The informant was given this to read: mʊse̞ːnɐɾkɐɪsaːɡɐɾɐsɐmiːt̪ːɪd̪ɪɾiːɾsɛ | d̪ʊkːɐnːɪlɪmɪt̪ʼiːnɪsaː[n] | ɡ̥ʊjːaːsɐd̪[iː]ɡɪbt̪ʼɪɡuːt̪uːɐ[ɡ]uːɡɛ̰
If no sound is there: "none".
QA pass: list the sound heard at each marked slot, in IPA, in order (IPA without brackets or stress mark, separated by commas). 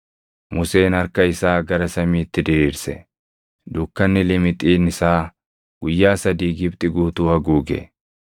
none, iː, ɡ